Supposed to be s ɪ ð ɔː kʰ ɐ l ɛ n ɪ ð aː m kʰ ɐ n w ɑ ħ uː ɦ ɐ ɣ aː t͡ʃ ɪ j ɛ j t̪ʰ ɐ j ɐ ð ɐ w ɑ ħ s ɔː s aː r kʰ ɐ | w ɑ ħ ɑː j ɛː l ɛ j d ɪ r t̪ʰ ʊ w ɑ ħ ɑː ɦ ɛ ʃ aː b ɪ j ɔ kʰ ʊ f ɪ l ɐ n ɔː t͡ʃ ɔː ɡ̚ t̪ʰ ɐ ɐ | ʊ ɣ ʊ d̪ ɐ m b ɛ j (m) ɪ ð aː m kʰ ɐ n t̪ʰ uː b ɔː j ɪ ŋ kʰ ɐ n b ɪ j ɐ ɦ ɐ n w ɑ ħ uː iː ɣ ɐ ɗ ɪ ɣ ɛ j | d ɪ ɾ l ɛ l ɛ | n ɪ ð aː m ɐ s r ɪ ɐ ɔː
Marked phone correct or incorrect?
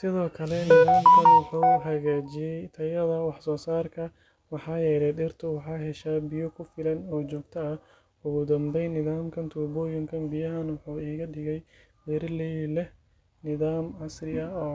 incorrect